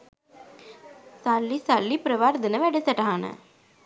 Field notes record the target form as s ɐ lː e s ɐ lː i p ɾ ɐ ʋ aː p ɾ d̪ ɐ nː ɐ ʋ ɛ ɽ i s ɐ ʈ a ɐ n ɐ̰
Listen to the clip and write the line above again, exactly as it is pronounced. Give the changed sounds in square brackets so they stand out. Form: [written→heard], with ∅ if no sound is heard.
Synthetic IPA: s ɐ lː [e→i] s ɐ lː i p ɾ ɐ ʋ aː [p→∅] ɾ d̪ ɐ [nː→n] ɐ ʋ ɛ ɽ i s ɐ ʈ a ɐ n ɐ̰